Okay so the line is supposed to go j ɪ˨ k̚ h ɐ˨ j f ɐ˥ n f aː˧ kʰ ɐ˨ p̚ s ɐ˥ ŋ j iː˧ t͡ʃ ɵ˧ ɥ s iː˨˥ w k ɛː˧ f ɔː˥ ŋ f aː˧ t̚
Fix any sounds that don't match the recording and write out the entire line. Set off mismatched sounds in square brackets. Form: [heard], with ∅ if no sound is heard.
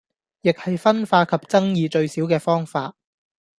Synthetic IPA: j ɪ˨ k̚ h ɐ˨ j f ɐ˥ n f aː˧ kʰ ɐ˨ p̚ [t͡s] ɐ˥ ŋ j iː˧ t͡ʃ ɵ˧ ɥ s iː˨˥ w k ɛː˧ f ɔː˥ ŋ f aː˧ t̚